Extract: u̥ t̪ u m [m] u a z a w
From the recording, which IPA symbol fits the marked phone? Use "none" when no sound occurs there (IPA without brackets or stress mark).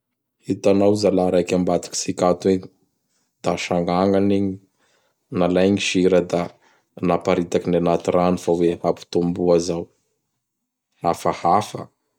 b